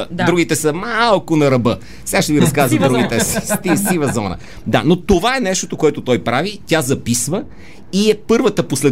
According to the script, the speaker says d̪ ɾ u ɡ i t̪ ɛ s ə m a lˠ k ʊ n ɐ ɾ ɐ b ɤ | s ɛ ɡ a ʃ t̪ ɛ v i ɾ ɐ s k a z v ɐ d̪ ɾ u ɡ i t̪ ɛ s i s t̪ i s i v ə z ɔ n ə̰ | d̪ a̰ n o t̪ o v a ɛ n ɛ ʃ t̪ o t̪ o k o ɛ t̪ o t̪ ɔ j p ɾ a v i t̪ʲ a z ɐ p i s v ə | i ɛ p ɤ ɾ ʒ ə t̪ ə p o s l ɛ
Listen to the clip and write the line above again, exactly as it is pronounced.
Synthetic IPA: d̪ ɾ u ɡ i t̪ ɛ s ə m a lˠ k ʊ n ɐ ɾ ɐ b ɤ | s ɛ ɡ a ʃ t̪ ɛ v i ɾ ɐ s k a z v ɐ d̪ ɾ u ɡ i t̪ ɛ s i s t̪ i s i v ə z ɔ n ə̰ | d̪ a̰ n o t̪ o v a ɛ n ɛ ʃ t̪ o t̪ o k o ɛ t̪ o t̪ ɔ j p ɾ a v i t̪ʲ a z ɐ p i s v ə | i ɛ p ɤ ɾ v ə t̪ ə p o s l ɛ